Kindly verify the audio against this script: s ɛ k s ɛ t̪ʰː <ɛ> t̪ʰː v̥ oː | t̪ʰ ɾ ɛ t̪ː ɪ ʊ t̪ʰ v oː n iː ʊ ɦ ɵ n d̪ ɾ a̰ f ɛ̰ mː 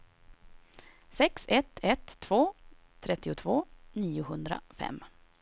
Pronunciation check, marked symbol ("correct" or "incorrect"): correct